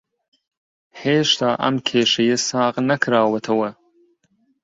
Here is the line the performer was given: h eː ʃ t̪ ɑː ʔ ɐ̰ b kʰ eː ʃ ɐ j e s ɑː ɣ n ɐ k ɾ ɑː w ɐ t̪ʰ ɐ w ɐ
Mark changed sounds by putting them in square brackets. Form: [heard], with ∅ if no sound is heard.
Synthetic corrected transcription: h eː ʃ t̪ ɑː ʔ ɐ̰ [m] kʰ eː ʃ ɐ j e s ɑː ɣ n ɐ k ɾ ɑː w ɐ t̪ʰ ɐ w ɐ